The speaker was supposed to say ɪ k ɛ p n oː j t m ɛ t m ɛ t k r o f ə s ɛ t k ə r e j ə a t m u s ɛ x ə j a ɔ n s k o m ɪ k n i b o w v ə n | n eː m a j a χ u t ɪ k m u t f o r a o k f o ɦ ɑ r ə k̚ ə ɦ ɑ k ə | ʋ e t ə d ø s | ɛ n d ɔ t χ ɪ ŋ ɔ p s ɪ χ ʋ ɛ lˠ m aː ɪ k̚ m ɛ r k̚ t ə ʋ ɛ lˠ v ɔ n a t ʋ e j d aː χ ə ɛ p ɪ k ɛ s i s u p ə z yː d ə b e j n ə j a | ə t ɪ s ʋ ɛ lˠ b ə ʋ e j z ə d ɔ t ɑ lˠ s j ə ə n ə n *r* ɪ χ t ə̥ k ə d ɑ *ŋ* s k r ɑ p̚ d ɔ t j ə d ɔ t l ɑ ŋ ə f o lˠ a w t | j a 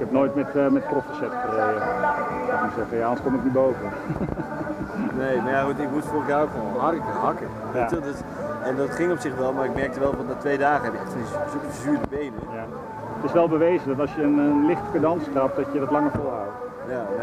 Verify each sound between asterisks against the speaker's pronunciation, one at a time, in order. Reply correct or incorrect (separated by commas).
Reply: incorrect, incorrect